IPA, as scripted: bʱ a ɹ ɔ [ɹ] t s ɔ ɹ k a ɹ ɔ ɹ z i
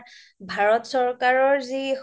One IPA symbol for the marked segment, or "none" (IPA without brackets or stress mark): none